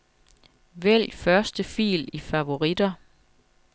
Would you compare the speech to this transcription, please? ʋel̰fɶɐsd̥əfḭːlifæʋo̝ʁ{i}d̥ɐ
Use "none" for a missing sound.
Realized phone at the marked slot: i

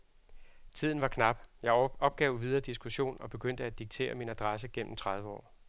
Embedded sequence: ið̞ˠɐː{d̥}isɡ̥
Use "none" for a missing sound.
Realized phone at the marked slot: d̥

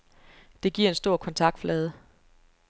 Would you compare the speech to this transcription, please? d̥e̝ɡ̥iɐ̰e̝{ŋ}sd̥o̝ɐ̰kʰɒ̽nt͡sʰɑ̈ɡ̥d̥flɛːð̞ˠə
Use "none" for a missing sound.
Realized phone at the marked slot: n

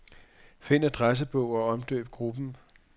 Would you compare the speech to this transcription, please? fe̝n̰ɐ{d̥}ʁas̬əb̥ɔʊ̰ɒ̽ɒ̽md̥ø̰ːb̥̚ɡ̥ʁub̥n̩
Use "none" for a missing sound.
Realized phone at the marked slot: d̥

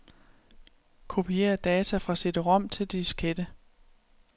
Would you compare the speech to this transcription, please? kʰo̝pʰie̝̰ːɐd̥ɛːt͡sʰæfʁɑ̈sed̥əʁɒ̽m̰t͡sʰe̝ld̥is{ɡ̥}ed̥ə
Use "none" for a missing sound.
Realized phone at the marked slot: ɡ̥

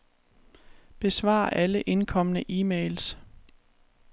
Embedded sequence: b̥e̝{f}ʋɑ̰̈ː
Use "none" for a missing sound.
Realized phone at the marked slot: s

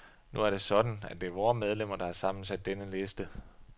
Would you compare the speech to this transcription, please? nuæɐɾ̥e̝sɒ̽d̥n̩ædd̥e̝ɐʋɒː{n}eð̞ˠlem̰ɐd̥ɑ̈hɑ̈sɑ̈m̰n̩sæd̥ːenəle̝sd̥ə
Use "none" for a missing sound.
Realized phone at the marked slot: m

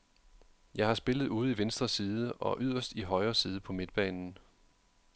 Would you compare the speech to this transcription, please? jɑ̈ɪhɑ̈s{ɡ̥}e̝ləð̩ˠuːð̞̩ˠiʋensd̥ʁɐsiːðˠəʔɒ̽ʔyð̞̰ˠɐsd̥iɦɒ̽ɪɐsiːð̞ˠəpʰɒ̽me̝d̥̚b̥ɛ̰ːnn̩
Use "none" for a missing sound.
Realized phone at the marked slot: b̥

